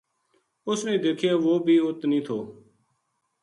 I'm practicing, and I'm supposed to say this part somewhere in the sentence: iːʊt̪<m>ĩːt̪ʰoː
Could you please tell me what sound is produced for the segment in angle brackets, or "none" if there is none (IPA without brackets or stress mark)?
n